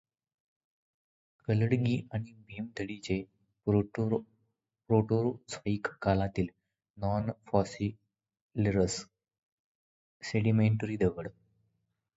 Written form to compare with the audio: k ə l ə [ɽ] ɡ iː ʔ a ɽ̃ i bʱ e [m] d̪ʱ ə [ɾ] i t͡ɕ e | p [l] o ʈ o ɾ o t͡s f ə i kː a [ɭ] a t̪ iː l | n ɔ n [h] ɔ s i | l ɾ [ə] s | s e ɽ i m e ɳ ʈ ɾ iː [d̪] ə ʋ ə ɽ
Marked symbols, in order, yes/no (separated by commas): yes, yes, no, no, no, no, yes, yes